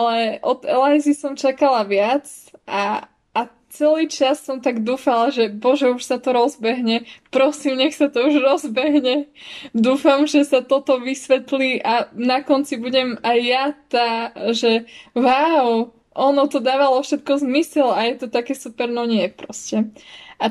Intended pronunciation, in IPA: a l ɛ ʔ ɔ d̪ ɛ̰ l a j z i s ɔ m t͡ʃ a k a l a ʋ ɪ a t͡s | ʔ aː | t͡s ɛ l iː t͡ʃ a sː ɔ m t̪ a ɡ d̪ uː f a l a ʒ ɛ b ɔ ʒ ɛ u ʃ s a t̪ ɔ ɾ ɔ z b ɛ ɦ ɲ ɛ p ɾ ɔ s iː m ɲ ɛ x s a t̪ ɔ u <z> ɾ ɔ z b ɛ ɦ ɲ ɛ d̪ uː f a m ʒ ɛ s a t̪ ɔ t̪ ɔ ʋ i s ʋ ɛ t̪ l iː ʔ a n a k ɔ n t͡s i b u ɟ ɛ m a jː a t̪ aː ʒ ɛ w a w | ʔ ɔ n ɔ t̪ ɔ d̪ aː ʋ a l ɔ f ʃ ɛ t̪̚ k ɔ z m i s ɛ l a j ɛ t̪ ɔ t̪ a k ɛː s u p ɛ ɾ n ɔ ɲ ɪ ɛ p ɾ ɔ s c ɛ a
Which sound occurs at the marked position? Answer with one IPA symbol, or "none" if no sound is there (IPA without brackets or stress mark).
ʒ